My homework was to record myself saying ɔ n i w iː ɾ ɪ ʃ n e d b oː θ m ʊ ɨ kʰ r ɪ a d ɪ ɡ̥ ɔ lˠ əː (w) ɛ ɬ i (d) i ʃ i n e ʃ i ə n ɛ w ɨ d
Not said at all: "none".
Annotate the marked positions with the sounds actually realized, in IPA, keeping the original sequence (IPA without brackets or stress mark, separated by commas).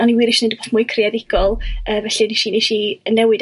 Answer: v, n